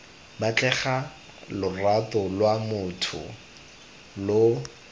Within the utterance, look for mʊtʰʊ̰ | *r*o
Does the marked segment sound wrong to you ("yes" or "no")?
yes